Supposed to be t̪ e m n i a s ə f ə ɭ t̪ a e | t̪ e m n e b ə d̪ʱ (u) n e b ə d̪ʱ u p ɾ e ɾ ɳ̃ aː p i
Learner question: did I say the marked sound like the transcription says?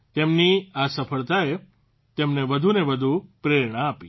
yes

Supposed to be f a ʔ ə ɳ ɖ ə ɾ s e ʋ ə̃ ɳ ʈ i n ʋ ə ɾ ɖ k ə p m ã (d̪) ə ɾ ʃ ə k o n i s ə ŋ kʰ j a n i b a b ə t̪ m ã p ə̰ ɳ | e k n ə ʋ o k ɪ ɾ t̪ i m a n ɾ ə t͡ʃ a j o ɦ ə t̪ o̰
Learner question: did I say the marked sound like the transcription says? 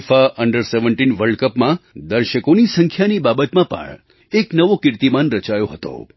yes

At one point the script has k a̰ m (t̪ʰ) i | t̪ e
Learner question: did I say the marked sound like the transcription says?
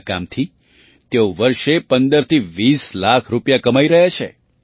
yes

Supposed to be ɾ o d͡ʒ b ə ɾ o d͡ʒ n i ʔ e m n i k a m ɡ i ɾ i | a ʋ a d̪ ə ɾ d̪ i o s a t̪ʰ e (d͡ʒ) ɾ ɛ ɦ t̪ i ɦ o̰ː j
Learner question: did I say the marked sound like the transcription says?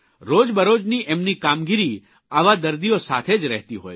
yes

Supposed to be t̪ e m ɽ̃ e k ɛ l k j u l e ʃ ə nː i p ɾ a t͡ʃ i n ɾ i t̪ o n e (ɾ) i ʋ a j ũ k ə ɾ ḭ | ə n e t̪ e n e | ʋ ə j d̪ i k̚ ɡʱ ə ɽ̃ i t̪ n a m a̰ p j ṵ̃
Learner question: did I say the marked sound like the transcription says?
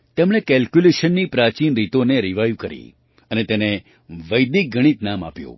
yes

